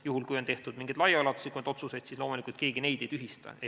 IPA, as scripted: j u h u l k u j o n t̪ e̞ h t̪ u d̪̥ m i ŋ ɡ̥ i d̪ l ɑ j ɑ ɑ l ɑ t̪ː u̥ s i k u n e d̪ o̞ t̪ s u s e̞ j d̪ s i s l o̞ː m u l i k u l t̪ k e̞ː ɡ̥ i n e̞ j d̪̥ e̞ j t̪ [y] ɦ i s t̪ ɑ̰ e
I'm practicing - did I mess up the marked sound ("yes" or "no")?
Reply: no